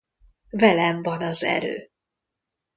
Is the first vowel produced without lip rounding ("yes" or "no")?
yes